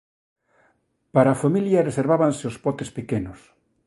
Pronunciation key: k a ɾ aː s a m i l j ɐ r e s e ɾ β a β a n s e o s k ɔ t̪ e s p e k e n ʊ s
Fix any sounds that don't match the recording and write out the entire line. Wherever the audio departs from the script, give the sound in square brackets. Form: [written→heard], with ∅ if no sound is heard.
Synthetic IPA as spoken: [k→p] a ɾ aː [s→f] a m i l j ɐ r e s e ɾ β a β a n s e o s [k→p] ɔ t̪ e s p e k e n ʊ s